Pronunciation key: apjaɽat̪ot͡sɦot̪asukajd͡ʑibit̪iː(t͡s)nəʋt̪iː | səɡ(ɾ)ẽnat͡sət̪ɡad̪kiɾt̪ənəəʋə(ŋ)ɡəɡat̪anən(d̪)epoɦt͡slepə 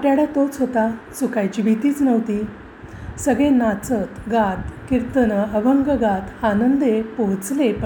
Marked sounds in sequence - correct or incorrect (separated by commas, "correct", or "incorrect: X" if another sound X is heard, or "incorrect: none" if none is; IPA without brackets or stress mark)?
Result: correct, incorrect: ɭ, correct, correct